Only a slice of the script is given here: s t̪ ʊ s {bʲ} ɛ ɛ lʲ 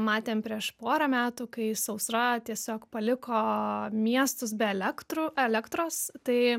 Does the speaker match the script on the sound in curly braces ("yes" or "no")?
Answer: yes